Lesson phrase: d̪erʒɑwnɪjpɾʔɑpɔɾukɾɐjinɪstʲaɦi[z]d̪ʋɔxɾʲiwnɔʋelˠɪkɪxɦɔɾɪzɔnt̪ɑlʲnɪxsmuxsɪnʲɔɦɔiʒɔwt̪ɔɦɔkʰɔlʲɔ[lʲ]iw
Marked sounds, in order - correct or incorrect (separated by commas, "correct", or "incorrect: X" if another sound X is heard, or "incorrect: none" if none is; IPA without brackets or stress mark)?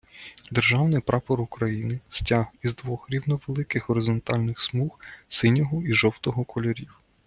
correct, incorrect: ɾʲ